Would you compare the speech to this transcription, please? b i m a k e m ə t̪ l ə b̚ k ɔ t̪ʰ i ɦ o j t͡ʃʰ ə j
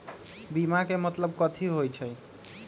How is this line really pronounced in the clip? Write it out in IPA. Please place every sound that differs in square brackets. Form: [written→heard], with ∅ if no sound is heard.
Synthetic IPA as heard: b i m a k e m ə t̪ l ə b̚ k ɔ t̪ʰ i ɦ o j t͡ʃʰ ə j